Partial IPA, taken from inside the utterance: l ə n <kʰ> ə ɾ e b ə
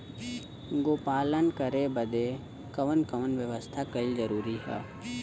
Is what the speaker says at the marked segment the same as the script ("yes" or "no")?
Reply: no